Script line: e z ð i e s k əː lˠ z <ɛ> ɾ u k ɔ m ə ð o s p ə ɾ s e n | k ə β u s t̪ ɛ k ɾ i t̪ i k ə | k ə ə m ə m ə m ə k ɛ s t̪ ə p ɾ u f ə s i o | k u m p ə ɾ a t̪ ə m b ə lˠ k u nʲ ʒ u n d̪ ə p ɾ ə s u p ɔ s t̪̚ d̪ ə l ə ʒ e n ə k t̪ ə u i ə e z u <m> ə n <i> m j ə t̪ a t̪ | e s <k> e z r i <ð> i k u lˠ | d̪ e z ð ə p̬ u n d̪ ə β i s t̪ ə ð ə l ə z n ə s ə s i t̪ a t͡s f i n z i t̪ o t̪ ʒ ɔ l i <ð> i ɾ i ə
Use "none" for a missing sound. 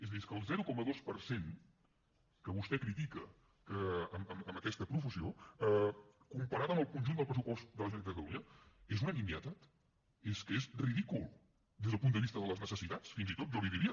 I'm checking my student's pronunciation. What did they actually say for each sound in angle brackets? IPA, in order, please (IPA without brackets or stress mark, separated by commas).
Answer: ɛ, n, i, k, ð, ð